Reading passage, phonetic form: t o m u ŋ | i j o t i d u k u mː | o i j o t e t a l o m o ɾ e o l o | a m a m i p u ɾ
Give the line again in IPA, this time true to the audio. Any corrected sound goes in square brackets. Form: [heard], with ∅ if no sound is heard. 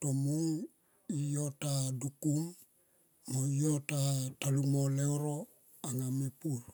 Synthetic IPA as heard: t o m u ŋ | i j o t [a] d u k u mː | o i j o t [a] t a l [u] m o [l] e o [ɾ] o | a [ŋ] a m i p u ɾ

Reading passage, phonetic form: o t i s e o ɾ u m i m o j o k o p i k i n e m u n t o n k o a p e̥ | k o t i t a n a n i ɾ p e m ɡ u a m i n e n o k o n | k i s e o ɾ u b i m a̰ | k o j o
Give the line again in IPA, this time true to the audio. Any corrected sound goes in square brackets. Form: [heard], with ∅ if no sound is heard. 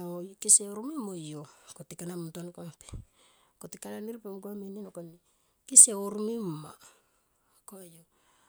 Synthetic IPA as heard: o [k] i s e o ɾ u m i m o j o k o [t] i k [a] n [a] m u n t o n k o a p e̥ | k o t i [k] a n a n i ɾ p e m ɡ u a m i n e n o k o n | k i s e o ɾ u [m] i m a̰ | k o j o

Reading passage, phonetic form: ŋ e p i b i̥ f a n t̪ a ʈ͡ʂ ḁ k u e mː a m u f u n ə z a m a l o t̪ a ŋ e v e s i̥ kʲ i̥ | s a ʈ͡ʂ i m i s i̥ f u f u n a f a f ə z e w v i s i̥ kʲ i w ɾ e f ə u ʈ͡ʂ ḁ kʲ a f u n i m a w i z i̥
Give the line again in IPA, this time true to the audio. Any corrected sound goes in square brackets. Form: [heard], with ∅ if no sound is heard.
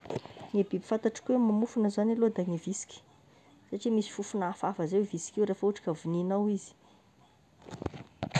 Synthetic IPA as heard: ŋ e [b] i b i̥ f a n t̪ a ʈ͡ʂ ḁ k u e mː a m u f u n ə z a [n] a l o [d̪] a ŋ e v [i] s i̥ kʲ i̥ | s a ʈ͡ʂ i m i s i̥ f u f u n a f a f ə z e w v i s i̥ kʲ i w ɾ e f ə u ʈ͡ʂ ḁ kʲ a [v] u n i [n] a w i z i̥

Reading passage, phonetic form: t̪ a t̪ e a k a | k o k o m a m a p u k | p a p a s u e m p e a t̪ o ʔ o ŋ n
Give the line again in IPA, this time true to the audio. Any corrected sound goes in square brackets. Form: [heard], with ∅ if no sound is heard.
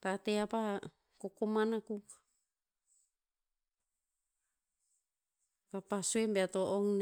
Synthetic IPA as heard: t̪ a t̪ e a [p] a | k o k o m a [n] a [k] u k | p a p a s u e m [b] e a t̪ o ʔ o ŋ n

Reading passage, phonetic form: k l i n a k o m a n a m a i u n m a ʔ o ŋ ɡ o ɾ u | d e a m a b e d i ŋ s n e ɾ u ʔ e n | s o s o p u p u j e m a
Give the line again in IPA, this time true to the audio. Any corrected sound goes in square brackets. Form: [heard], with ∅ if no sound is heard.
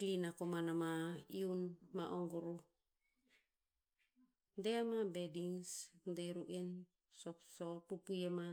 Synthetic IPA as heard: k l i n a k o m a n a m a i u n m a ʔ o ŋ ɡ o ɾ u | d e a m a b e d i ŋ s [d] e ɾ u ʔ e n | s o s o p u p u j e m a

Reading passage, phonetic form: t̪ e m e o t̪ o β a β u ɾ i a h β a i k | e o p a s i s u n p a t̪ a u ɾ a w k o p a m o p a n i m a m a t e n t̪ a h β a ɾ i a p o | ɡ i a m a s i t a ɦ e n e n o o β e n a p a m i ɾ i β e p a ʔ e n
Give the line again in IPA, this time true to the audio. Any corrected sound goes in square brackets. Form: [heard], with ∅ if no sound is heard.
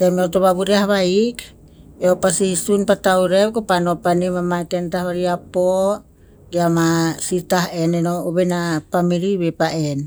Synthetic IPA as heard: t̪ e m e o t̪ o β a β u ɾ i a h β a i k | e o p a s i s u n p a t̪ a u ɾ [e] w k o p a [n] o p a n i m a m a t e n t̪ a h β a ɾ i a p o | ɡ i a m a s i t a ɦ e n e n o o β e n a p a m i ɾ i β e p a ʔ e n

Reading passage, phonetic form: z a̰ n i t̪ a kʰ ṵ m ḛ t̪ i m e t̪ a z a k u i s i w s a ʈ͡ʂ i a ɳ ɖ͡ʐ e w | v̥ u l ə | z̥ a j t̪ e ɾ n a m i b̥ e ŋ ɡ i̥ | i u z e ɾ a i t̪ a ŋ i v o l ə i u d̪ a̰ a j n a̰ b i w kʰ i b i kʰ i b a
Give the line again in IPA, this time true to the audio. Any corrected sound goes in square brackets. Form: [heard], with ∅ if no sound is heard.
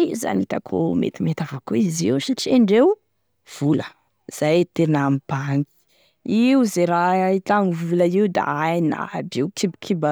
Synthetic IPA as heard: z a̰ n i t̪ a kʰ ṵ m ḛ t̪ i m e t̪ a [v] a k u i [z] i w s a ʈ͡ʂ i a ɳ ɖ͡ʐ e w | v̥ u l ə | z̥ a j t̪ e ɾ n a m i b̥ [a] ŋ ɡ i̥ | i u z e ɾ a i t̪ a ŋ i v [u] l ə i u d̪ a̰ a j n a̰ b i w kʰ i b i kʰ i b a

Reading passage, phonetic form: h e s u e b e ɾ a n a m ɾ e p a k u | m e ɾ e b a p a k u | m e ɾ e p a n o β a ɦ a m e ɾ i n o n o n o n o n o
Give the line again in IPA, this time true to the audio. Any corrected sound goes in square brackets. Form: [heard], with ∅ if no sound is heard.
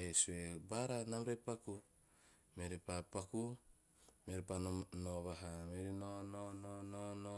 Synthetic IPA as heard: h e s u e b [a] ɾ a n a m ɾ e p a k u | m e ɾ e [p] a p a k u | m e ɾ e p a n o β a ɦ a m e ɾ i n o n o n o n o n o

